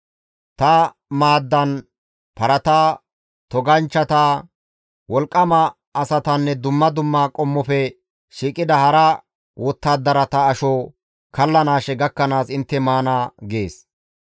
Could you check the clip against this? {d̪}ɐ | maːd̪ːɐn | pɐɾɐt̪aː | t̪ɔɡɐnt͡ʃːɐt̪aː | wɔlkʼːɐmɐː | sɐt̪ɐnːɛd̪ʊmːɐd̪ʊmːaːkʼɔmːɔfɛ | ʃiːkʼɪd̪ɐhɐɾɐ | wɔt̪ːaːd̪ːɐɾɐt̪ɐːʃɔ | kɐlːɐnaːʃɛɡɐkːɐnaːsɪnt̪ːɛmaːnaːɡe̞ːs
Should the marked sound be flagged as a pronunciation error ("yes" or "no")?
yes